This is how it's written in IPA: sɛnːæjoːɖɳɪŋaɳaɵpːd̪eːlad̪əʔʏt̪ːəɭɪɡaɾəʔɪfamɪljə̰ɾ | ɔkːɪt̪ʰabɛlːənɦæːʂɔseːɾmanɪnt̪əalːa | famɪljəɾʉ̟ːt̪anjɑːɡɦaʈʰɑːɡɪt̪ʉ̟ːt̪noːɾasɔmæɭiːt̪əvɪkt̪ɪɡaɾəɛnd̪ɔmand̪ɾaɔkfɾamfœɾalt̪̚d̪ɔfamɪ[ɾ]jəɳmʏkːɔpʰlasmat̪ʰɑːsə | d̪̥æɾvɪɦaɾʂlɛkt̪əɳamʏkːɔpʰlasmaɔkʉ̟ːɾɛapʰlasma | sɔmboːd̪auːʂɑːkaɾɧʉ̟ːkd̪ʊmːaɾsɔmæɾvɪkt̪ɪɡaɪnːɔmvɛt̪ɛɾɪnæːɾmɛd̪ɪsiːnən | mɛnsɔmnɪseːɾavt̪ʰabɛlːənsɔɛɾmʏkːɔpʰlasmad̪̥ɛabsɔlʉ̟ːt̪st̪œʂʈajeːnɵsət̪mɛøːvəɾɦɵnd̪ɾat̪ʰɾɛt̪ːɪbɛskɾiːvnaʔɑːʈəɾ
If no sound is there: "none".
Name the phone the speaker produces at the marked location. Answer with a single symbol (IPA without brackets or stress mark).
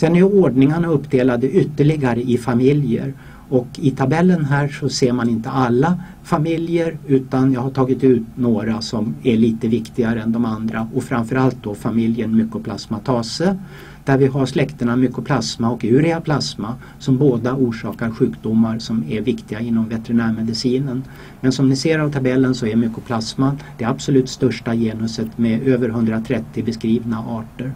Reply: l